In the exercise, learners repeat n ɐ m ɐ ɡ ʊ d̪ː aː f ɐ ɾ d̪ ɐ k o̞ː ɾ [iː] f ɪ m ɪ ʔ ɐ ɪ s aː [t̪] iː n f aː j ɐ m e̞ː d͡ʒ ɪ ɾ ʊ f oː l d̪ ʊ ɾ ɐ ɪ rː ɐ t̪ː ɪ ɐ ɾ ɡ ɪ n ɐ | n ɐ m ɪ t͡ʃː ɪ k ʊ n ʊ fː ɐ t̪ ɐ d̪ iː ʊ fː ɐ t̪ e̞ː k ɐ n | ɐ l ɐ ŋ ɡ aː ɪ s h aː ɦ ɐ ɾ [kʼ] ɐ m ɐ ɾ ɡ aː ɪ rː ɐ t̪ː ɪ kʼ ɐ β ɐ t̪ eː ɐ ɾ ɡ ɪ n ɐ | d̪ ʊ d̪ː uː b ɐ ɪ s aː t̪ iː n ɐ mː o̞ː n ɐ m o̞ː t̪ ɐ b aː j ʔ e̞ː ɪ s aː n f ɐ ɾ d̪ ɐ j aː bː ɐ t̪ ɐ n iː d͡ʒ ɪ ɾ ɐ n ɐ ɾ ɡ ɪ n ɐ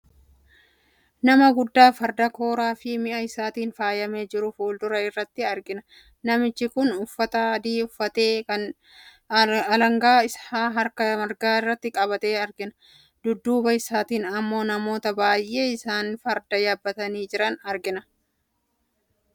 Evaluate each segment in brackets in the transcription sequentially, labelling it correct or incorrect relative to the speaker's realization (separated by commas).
incorrect, correct, incorrect